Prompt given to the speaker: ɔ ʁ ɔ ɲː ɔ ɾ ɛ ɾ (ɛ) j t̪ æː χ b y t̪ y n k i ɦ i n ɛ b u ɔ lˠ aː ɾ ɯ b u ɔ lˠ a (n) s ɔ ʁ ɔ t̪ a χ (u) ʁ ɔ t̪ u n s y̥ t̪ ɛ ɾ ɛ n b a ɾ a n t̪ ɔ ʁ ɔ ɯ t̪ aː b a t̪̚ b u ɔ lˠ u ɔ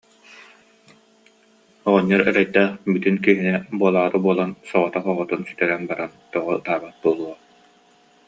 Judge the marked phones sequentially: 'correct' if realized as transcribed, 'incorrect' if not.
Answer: correct, correct, incorrect: ɔ

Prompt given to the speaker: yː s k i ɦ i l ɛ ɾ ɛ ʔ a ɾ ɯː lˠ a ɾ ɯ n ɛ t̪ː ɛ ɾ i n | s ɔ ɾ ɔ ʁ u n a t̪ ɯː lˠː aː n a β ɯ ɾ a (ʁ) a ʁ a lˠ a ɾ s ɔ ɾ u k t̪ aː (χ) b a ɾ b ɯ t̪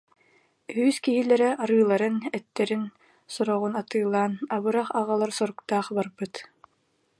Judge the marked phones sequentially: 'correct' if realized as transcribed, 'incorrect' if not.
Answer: incorrect: χ, correct

